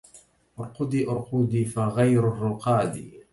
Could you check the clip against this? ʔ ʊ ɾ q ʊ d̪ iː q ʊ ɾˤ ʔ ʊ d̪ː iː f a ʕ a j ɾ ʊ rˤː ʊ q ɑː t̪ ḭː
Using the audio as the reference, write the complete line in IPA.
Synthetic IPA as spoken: ʔ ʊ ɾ q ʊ d̪ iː ʔ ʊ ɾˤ q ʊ d̪ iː f a ɣ a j ɾ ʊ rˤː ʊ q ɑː d̪ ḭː

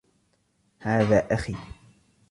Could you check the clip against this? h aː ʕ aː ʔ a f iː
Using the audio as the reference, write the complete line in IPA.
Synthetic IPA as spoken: h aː ð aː ʔ a x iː

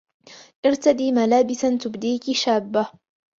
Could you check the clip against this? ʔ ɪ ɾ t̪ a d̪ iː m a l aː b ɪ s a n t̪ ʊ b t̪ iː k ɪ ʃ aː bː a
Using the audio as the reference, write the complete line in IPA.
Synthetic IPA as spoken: ʔ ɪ ɾ t̪ a d̪ iː m a l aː b ɪ s a n t̪ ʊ b d̪ iː k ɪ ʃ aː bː a

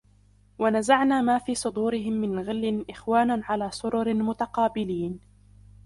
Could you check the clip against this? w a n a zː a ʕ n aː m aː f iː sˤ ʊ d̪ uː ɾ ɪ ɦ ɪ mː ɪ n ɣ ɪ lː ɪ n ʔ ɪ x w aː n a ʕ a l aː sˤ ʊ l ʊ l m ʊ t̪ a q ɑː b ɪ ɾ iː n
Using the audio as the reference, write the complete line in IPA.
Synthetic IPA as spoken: w a n a z a ʕ n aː m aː f iː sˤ ʊ d̪ uː ɾ ɪ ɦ ɪ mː ɪ n ɣ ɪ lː ɪ n ʔ ɪ x w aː n a ʕ a l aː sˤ ʊ ɾ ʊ ɾ m ʊ t̪ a q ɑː b ɪ l iː n

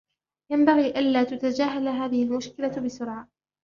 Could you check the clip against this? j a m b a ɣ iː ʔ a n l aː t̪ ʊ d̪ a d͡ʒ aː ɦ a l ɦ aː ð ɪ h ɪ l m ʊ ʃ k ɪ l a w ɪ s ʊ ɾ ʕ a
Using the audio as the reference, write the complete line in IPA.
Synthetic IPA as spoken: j a m b a ɣ iː ʔ a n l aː t̪ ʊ t̪ a d͡ʒ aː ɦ a l ɦ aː ð ɪ h ɪ l m ʊ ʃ k ɪ l a b ɪ s ʊ ɾ ʕ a

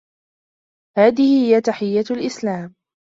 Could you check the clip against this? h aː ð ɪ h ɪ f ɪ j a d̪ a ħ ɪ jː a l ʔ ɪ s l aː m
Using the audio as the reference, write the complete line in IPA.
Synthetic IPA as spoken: h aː ð ɪ h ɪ h ɪ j a t̪ a ħ ɪ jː a l ʔ ɪ s l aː m

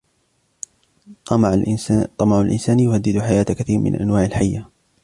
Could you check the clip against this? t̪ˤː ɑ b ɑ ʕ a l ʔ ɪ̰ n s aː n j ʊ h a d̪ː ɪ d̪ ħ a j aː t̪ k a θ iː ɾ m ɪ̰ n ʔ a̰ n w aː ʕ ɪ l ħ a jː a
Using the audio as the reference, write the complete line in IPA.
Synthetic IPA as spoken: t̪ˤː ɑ m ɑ ʕ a l ʔ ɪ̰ n s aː n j ʊ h a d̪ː ɪ d̪ ħ a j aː t̪ k a θ iː ɾ m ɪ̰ n ʔ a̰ n w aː ʕ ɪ l ħ a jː a

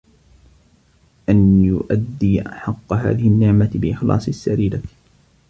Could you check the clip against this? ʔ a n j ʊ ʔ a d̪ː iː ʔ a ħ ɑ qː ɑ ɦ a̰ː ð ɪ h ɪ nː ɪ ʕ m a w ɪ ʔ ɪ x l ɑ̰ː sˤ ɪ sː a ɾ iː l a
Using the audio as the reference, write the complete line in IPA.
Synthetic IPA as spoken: ʔ a n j ʊ ʔ a d̪ː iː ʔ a ħ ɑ qː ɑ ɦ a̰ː ð ɪ h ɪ nː ɪ ʕ m a b ɪ ʔ ɪ x l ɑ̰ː sˤ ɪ sː a ɾ iː l a

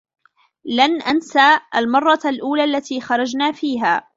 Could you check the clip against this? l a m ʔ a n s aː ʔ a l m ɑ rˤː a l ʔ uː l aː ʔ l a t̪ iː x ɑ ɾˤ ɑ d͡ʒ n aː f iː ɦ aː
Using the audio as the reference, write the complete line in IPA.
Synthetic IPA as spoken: l a n ʔ a n s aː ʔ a l m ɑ rˤː ɑ l ʔ uː l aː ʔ lː a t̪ iː x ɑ ɾˤ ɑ d͡ʒ n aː f iː ɦ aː

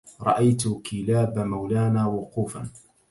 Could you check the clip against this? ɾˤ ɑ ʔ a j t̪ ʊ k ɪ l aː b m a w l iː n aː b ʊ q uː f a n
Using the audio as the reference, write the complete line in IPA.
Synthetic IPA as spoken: ɾˤ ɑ ʔ a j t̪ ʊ k ɪ l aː b m a w l aː n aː w ʊ q uː f a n

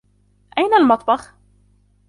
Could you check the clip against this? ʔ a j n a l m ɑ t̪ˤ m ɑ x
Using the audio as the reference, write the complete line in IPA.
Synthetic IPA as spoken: ʔ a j n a l m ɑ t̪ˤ b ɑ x

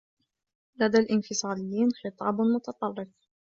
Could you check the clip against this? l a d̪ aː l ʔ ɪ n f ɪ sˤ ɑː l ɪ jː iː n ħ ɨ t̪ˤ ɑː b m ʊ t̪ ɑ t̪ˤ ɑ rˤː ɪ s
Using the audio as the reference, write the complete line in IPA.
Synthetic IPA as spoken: l a d̪ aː l ʔ ɪ n f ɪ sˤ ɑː l ɪ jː iː n x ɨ t̪ˤ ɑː b m ʊ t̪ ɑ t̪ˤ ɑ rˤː ɪ f

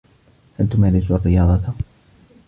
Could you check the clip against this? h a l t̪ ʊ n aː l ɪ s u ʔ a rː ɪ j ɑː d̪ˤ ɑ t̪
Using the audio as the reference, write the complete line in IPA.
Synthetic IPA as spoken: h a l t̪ ʊ m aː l ɪ s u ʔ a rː ɪ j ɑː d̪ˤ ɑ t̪

